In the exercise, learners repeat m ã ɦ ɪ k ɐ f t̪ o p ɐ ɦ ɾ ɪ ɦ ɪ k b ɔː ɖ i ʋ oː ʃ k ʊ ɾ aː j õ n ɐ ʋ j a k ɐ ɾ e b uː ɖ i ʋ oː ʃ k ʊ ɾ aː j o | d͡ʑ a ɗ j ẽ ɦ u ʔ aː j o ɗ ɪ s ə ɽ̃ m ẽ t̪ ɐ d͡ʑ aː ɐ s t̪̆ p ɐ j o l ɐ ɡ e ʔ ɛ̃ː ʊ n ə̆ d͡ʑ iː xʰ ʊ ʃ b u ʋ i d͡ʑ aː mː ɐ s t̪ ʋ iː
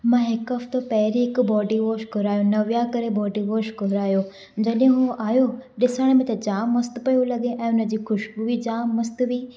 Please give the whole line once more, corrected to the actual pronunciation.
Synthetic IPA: m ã ɦ ɪ k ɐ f t̪ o p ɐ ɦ ɾ i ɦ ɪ k b ɔː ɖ i ʋ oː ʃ k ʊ ɾ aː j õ n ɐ ʋ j a k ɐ ɾ e b ɔː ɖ i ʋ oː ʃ k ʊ ɾ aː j o | d͡ʑ ɐ ɗ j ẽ ɦ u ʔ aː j o ɗ ɪ s ə ɽ̃ m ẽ t̪ ɐ d͡ʑ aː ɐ s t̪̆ p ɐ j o l ɐ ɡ e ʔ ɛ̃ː ʊ n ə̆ d͡ʑ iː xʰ ʊ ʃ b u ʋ i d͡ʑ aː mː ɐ s t̪ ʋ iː